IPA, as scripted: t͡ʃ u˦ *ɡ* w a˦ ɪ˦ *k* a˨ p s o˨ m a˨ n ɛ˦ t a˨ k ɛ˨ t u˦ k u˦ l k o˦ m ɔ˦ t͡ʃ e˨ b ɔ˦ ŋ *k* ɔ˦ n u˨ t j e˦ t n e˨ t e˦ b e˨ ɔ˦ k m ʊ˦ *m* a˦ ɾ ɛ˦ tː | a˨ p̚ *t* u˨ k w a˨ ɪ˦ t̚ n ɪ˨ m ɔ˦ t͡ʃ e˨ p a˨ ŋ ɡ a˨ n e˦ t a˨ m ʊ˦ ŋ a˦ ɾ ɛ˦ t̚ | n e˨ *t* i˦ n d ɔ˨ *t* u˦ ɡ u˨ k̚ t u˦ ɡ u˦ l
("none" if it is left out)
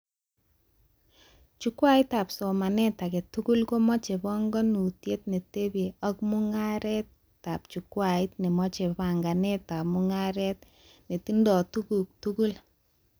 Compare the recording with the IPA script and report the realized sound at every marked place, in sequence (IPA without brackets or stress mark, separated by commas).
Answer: k, t, ɡ, ŋ, t͡ʃ, t, t